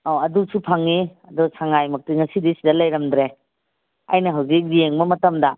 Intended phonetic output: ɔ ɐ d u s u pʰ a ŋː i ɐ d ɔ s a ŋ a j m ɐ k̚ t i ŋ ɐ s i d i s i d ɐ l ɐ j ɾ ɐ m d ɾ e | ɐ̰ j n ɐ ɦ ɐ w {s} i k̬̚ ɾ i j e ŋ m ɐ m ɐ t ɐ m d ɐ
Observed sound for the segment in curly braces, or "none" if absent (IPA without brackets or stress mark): z